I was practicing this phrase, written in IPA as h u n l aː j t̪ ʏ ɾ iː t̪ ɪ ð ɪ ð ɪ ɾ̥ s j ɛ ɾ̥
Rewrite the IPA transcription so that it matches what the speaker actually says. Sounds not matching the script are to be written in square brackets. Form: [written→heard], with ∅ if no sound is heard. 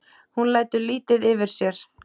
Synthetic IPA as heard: h u n l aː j t̪ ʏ [ɾ→l] iː t̪ ɪ ð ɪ [ð→v] ɪ ɾ̥ s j ɛ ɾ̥